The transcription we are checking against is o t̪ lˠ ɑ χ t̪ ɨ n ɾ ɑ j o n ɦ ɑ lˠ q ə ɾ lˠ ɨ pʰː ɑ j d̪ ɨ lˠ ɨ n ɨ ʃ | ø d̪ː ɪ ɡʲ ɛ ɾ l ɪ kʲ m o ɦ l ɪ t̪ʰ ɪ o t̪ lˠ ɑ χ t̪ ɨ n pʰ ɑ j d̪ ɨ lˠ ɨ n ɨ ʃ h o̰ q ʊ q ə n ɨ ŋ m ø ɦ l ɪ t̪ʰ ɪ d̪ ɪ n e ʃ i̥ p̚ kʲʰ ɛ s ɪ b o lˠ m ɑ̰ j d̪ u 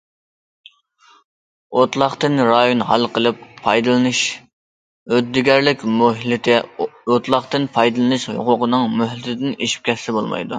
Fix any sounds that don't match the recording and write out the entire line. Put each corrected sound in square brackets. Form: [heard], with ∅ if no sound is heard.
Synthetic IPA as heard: o t̪ lˠ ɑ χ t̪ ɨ n ɾ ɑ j o n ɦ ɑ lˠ q ə [∅] lˠ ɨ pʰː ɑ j d̪ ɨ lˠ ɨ n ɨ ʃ | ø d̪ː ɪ ɡʲ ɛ ɾ l ɪ kʲ m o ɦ l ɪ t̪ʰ ɪ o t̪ lˠ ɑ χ t̪ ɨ n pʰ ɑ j d̪ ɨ lˠ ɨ n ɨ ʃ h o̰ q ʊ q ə n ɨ ŋ m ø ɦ l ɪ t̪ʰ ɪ d̪ ɪ n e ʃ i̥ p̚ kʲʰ ɛ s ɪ b o lˠ m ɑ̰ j d̪ u